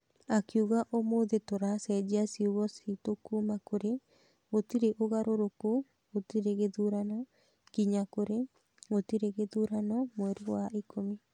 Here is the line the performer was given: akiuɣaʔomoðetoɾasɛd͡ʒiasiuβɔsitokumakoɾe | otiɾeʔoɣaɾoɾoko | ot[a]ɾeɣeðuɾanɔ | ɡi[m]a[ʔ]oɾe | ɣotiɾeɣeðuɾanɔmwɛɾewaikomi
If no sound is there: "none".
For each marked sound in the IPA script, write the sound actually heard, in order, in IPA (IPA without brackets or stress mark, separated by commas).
i, ɲ, k